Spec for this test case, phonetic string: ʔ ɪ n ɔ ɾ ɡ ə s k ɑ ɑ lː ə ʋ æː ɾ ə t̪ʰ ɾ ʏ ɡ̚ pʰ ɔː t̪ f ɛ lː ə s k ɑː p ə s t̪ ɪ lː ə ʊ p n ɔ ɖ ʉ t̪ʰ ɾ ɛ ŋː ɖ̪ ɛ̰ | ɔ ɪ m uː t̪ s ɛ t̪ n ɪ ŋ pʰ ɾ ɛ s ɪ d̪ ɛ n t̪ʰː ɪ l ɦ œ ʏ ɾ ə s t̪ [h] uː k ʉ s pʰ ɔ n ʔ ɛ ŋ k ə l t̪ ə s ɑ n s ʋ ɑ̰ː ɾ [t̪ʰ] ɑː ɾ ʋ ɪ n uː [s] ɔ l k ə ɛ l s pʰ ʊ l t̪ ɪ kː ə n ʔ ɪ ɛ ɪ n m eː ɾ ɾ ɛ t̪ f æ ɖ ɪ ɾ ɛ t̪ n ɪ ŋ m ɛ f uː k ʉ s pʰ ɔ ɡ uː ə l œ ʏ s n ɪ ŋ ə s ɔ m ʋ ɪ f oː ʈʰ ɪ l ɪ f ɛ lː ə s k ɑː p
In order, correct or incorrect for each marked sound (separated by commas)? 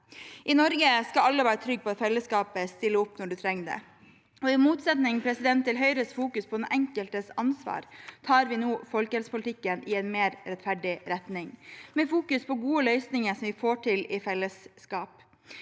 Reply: incorrect, correct, incorrect